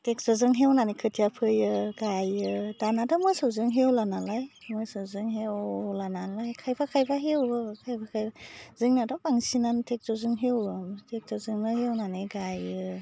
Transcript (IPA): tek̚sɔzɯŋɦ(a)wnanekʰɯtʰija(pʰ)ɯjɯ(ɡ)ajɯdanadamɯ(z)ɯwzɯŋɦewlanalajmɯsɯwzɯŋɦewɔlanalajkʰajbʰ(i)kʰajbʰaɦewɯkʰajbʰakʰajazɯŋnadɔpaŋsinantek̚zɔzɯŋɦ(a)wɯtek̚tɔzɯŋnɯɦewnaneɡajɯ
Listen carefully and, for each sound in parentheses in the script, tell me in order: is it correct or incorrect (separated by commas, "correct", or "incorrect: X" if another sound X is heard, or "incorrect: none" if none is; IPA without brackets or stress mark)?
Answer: incorrect: e, correct, correct, incorrect: s, incorrect: a, incorrect: e